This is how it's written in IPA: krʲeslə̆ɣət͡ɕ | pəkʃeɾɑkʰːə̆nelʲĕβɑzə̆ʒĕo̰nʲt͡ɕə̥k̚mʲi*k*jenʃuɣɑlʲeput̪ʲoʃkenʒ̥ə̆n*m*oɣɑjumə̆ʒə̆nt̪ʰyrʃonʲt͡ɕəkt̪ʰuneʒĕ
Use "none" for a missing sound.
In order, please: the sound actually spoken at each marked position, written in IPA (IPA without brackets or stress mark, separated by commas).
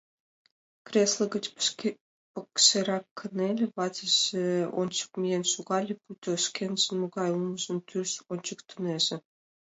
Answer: none, m